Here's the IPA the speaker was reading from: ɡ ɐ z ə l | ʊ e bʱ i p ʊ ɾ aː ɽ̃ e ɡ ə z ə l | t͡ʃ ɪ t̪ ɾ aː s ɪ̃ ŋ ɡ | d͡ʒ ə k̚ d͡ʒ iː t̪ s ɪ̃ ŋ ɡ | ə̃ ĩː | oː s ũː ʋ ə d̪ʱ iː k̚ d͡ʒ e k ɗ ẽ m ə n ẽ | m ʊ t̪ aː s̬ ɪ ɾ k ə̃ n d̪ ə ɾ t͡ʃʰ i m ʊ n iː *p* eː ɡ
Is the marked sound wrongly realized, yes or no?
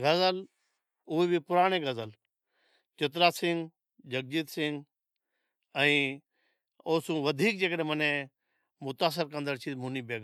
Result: yes